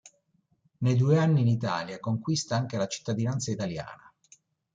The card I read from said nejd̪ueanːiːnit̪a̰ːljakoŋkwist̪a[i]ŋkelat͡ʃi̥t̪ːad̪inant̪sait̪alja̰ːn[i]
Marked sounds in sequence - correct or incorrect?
incorrect, incorrect

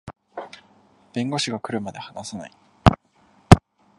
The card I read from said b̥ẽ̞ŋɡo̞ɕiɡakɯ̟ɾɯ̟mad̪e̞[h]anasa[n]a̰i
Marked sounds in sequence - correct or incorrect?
correct, correct

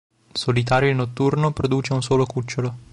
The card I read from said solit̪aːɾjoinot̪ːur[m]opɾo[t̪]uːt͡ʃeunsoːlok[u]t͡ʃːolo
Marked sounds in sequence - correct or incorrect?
incorrect, incorrect, correct

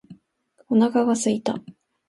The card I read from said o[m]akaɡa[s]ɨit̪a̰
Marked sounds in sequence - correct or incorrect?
incorrect, correct

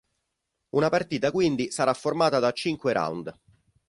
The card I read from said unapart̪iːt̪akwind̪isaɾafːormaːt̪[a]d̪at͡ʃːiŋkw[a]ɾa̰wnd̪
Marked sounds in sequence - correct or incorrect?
correct, incorrect

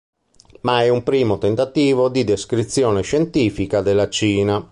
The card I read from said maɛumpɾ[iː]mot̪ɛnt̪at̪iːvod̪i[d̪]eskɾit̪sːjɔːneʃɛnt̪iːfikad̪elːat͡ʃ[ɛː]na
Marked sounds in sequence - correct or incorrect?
correct, correct, incorrect

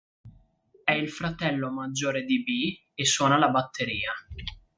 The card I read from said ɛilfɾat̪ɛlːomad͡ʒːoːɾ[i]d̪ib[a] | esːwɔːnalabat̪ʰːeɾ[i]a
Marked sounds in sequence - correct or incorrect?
incorrect, incorrect, incorrect

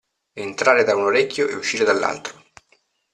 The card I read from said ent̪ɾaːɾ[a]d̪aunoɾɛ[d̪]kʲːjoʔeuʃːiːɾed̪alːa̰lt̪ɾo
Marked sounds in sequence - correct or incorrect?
incorrect, incorrect

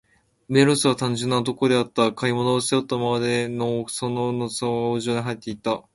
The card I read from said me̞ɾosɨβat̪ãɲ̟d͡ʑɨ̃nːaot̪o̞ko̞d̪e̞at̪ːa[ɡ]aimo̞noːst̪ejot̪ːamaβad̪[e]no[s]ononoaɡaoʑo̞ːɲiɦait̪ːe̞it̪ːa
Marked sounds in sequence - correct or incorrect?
incorrect, correct, correct

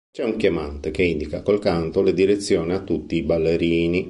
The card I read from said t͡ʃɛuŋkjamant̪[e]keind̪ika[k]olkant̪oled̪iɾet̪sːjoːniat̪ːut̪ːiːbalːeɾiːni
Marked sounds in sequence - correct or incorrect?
correct, correct

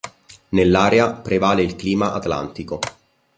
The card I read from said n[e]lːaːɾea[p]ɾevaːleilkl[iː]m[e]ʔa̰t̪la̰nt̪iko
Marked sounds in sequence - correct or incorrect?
correct, correct, correct, incorrect

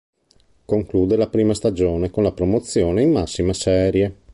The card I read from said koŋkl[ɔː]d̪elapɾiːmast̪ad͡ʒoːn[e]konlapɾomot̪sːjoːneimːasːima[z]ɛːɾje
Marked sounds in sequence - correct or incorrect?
incorrect, correct, incorrect

